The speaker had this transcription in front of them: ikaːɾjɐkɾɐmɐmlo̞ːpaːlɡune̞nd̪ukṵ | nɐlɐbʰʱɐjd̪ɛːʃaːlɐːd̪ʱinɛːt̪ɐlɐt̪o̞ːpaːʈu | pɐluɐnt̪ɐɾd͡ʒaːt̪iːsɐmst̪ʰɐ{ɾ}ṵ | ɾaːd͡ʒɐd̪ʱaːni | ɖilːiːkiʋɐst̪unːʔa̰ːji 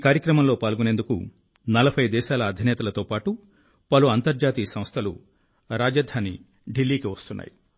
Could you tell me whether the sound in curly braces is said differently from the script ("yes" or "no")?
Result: yes